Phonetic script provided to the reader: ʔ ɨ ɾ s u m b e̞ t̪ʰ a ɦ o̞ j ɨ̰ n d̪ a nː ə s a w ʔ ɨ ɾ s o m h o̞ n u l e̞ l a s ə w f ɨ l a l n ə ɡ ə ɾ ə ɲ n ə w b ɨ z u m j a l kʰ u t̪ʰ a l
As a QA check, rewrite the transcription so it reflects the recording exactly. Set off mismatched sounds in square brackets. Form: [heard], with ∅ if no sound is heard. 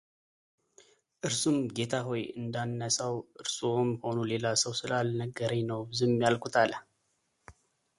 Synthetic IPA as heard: ʔ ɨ ɾ s u m [ɡ] e̞ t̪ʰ a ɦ o̞ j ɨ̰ n d̪ a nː ə s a w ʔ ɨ ɾ s o m h o̞ n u l e̞ l a s ə w [s] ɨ l a l n ə ɡ ə ɾ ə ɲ n ə w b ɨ z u m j a l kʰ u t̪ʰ a l